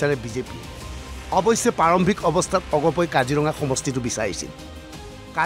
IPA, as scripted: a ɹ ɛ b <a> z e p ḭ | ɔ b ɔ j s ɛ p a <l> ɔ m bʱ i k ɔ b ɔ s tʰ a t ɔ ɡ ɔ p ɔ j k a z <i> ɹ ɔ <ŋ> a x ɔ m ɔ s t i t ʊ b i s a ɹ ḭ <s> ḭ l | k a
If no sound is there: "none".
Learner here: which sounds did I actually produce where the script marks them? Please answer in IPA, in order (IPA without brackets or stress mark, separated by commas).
i, ɹ, i, ŋ, s